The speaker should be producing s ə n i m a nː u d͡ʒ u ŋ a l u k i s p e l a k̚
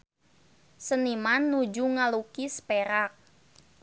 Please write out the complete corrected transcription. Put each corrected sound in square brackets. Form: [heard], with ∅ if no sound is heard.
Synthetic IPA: s ə n i m a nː u d͡ʒ u ŋ a l u k i s p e [ɾ] a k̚